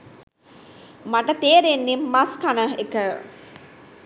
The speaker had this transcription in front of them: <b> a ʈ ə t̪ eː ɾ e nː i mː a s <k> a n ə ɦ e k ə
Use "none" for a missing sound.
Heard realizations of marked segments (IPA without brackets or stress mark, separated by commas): m, k